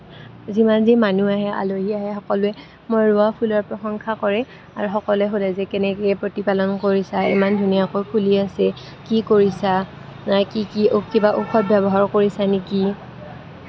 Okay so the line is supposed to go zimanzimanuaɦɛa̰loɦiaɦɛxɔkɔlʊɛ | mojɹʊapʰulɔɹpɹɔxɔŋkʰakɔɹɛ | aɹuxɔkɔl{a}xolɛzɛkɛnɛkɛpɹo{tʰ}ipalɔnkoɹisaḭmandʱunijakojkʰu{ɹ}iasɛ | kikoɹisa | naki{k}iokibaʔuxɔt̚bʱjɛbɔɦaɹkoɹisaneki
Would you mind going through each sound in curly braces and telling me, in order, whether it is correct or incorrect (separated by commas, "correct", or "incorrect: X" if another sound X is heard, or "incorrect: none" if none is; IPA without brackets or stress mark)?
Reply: incorrect: ɛ, incorrect: t, incorrect: l, correct